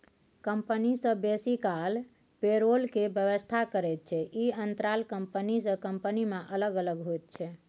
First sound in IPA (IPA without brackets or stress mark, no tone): k